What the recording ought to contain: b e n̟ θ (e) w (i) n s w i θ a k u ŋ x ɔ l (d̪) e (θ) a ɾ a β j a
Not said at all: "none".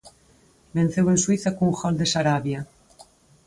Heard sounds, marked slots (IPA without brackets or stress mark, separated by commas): e, e, d̪, s